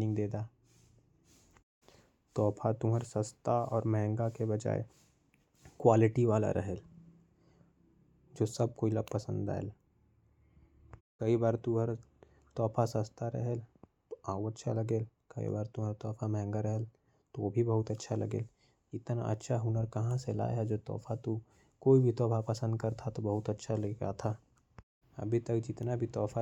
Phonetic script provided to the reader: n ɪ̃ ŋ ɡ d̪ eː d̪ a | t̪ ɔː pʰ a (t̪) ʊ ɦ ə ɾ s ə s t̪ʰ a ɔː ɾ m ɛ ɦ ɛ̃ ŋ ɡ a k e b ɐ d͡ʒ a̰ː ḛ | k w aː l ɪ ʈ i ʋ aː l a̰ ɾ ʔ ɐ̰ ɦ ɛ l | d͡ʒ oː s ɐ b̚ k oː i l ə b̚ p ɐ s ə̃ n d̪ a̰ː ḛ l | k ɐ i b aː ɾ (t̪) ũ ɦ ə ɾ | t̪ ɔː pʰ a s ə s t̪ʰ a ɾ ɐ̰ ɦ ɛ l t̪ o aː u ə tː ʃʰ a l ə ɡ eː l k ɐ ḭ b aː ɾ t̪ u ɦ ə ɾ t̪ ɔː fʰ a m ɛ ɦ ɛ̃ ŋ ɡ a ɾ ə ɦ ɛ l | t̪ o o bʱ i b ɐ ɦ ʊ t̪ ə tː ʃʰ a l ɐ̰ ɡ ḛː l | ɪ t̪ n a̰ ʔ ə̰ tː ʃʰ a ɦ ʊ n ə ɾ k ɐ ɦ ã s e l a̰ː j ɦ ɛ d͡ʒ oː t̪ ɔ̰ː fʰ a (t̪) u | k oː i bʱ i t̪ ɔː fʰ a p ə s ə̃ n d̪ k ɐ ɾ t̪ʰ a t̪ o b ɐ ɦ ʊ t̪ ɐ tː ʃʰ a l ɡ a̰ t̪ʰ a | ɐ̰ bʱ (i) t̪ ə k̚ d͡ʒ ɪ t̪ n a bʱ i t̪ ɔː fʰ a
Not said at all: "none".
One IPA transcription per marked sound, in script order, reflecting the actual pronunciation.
t̪, t̪, t̪, i

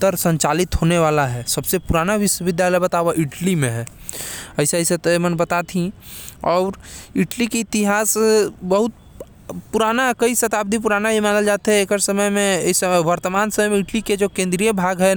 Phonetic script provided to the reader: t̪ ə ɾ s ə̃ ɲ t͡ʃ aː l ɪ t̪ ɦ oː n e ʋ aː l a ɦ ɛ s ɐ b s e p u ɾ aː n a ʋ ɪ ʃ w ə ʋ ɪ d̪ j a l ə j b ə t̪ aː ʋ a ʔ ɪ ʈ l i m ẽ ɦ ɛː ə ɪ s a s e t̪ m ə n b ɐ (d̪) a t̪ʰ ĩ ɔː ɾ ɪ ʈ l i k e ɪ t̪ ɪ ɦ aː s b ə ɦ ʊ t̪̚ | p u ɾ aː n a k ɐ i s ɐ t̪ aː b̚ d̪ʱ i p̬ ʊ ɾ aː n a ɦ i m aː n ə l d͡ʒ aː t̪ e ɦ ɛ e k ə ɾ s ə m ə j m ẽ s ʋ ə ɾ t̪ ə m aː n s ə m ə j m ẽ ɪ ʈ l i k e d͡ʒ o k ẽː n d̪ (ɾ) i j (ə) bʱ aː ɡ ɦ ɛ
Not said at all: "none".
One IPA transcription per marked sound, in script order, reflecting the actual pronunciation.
t̪, ɾ, ə

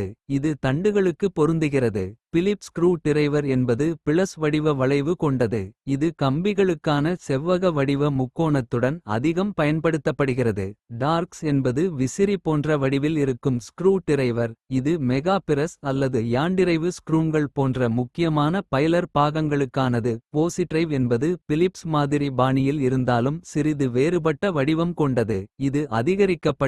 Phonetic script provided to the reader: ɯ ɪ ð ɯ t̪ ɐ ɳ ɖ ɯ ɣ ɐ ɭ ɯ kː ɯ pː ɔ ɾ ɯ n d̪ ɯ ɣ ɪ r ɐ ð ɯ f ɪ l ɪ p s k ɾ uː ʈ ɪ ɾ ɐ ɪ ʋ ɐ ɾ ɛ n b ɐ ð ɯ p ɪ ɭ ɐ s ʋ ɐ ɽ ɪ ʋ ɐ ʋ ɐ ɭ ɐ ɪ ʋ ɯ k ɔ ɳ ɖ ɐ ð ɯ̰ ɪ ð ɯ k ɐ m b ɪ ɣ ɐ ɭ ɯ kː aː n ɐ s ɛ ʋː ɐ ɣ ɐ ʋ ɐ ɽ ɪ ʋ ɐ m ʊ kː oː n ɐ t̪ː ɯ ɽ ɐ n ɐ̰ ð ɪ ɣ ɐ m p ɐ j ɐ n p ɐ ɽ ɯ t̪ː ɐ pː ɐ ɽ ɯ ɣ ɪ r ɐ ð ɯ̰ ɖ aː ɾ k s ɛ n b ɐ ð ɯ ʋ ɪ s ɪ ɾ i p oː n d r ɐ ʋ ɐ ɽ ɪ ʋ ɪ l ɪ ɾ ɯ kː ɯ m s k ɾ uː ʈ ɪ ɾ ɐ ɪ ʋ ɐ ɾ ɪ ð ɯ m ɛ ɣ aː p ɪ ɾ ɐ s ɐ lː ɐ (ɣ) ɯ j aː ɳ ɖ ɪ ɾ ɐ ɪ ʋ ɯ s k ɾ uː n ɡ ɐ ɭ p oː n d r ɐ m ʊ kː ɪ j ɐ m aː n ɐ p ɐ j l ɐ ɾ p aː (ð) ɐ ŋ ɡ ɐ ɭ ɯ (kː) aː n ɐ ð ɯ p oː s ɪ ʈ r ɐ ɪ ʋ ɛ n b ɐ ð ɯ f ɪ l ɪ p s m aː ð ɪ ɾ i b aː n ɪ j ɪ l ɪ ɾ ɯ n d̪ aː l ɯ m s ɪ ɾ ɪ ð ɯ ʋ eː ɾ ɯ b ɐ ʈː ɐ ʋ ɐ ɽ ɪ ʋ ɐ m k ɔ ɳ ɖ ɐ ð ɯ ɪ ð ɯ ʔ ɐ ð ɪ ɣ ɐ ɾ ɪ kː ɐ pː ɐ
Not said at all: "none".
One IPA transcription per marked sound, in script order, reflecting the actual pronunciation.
ð, ɣ, kː

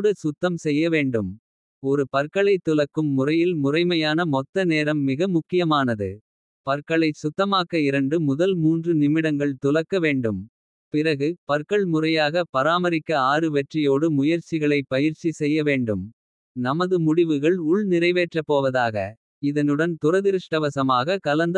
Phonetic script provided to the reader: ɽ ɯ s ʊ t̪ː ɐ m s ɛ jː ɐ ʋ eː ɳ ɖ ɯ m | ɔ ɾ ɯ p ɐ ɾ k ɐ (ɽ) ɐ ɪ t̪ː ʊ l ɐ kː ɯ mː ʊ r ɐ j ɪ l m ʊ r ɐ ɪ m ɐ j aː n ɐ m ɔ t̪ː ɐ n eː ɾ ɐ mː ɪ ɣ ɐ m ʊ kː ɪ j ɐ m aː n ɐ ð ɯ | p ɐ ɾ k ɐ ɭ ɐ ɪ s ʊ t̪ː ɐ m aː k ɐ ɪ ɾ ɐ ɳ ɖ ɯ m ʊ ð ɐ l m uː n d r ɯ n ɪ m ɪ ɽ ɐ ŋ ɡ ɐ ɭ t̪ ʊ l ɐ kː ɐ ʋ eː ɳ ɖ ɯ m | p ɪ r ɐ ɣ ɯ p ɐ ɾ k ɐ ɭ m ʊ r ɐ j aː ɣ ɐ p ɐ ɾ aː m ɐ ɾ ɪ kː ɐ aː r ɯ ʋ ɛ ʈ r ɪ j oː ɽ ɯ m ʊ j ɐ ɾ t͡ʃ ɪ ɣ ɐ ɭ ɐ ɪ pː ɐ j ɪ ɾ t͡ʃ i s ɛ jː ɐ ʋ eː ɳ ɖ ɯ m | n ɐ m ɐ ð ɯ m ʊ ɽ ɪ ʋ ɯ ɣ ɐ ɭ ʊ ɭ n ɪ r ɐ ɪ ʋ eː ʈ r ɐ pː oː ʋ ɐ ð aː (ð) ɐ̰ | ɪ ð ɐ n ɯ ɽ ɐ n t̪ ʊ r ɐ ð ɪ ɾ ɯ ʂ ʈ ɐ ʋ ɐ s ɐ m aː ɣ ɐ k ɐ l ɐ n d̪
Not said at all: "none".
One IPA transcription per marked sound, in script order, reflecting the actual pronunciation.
ɭ, ɣ

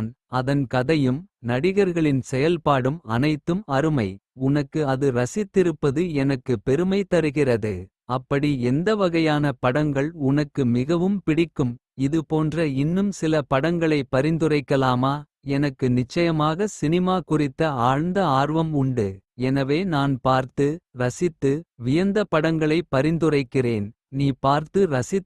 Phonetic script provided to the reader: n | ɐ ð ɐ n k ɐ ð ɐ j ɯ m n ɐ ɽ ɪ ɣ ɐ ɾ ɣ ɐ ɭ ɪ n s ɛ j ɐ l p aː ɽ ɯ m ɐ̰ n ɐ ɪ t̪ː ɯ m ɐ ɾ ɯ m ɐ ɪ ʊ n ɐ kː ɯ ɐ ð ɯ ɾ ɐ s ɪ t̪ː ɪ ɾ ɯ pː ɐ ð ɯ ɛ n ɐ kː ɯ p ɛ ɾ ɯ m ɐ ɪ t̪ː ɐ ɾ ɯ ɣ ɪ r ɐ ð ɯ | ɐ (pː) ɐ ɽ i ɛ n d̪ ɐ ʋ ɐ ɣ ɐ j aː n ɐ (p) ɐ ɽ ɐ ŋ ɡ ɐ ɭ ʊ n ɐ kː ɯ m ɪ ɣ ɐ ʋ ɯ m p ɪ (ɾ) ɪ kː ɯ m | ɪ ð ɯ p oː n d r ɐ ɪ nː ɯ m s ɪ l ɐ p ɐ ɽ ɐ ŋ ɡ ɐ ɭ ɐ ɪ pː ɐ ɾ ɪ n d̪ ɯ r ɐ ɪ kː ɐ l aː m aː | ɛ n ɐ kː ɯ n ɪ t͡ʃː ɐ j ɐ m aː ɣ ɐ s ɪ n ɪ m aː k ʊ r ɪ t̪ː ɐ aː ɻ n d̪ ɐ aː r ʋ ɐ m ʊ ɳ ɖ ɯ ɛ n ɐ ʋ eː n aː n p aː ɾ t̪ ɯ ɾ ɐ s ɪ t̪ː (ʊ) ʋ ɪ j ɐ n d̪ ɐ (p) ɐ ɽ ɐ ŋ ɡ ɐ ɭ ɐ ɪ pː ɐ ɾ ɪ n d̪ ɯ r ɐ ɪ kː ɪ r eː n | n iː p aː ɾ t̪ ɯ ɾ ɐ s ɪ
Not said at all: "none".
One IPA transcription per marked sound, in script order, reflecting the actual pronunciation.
pː, p, ɽ, ɯ, p

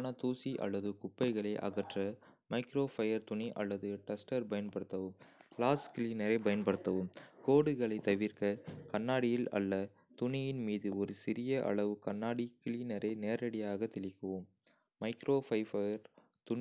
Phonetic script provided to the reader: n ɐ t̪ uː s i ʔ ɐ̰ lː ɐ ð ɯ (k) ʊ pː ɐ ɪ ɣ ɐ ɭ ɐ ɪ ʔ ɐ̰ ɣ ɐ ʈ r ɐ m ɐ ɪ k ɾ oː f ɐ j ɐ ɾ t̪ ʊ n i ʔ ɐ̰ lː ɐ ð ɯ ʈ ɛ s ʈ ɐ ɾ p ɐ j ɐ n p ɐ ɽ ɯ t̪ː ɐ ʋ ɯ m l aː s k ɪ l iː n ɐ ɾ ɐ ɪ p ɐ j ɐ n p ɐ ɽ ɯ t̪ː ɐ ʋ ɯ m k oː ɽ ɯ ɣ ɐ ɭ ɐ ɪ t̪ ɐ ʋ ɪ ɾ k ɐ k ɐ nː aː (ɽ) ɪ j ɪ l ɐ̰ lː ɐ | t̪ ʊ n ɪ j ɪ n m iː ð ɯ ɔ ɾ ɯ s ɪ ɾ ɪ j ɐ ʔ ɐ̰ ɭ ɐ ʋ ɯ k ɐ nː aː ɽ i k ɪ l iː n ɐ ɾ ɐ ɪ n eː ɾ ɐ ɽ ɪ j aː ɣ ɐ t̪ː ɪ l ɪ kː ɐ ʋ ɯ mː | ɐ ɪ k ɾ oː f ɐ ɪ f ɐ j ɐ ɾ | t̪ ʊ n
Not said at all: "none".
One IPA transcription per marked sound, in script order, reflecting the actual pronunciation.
k, ɽ

